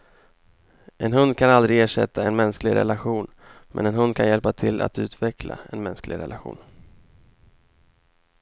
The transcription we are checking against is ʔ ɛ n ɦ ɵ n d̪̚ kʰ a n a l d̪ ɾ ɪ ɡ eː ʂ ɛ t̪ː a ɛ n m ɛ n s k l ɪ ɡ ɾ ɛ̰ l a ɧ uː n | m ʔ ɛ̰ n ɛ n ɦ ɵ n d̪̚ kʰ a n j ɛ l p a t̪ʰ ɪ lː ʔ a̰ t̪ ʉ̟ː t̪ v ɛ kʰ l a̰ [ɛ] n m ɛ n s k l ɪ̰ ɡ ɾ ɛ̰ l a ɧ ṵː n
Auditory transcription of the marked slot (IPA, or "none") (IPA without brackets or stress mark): ɛ